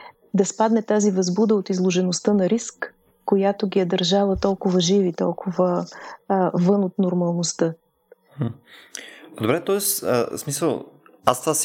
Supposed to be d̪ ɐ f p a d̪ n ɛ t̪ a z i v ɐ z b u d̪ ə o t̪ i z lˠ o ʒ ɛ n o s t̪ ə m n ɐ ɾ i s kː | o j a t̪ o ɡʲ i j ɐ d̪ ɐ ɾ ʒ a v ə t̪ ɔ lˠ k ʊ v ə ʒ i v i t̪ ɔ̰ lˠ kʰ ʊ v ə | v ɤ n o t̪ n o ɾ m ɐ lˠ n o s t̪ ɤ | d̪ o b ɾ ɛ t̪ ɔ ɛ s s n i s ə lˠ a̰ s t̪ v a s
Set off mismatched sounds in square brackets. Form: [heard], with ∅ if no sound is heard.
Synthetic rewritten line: d̪ ɐ [s] p a d̪ n ɛ t̪ a z i v ɐ z b u d̪ ə o t̪ i z lˠ o ʒ ɛ n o s t̪ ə [∅] n ɐ ɾ i s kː | o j a t̪ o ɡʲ i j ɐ d̪ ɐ ɾ ʒ a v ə t̪ ɔ lˠ k ʊ v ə ʒ i v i t̪ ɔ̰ lˠ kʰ ʊ v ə | v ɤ n o t̪ n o ɾ m ɐ lˠ n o s t̪ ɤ | d̪ o b ɾ ɛ t̪ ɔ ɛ s s [m] i s ə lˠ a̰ s t̪ v a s